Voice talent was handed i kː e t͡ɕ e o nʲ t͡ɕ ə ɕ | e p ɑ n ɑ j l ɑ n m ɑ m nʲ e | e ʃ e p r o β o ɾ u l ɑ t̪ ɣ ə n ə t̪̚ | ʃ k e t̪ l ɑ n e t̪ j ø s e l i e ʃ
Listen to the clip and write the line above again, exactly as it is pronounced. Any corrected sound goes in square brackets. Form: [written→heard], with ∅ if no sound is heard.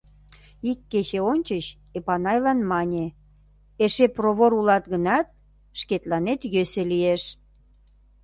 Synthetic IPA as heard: i kː e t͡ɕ e o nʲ t͡ɕ ə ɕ | e p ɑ n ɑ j l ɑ n m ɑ [m→∅] nʲ e | e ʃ e p r o β o ɾ u l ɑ t̪ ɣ ə n [ə→ɑ] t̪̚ | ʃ k e t̪ l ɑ n e t̪ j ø s e l i e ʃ